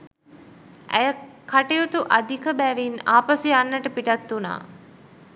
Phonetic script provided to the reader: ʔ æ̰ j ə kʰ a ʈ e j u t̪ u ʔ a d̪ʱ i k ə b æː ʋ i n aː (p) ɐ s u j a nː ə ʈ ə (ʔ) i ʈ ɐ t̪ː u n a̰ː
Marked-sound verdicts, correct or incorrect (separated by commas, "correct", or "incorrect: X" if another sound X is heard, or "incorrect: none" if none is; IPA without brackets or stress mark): correct, incorrect: p